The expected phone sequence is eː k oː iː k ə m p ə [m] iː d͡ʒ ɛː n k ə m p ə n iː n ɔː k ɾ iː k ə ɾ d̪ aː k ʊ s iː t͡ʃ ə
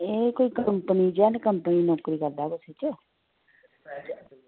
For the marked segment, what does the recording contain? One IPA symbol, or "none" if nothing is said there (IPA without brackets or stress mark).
n